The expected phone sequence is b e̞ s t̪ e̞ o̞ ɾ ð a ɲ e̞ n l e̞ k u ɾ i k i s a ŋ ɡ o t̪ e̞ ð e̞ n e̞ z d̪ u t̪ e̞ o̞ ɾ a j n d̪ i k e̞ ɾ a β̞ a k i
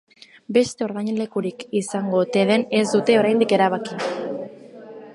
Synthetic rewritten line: b e̞ s t̪ e̞ o̞ ɾ ð a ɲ e̞ n l e̞ k u ɾ i k i s a ŋ ɡ o t̪ e̞ ð e̞ n e̞ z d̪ u t̪ e̞ o̞ ɾ a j n d̪ i k e̞ ɾ a β̞ a k i